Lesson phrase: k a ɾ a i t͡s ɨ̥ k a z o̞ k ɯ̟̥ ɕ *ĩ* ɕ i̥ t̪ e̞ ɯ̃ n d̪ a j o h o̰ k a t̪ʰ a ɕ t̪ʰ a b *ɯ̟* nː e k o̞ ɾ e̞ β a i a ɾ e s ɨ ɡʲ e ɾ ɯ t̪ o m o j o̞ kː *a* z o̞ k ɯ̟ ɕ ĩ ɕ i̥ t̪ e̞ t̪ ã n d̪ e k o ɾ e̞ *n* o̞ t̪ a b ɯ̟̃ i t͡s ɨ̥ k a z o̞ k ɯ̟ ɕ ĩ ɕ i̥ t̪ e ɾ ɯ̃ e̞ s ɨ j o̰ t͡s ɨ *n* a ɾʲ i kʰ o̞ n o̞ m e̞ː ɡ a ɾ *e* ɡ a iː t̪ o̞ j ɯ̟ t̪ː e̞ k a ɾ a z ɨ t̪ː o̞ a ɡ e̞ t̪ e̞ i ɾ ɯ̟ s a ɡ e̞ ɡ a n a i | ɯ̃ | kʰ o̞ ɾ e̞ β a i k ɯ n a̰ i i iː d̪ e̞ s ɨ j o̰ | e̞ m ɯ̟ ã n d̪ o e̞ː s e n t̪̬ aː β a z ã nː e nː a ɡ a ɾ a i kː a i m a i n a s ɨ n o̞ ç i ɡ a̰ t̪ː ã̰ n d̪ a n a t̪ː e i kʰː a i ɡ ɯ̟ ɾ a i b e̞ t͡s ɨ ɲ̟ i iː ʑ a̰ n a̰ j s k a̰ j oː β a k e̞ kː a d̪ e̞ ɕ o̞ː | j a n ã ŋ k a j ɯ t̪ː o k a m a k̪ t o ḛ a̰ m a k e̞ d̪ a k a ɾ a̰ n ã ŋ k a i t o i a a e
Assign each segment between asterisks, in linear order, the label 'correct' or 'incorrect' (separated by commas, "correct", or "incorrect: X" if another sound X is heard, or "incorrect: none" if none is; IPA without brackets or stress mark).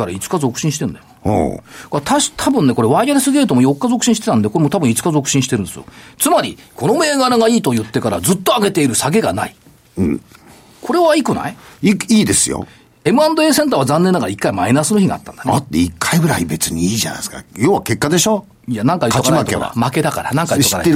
correct, incorrect: ɯ̟̃, correct, incorrect: m, incorrect: m, incorrect: a